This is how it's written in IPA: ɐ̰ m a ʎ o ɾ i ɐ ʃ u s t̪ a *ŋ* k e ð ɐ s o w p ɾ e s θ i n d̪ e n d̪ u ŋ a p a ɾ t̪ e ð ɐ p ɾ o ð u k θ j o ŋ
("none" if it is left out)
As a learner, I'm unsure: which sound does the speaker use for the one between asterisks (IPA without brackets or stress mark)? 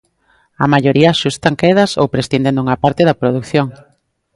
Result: ŋ